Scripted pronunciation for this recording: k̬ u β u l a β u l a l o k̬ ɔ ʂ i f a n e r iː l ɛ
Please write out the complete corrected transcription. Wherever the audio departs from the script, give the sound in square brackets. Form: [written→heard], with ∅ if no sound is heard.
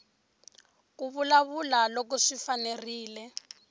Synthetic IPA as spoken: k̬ u β u l a β u l a l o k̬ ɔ ʂ i f a n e r iː l ɛ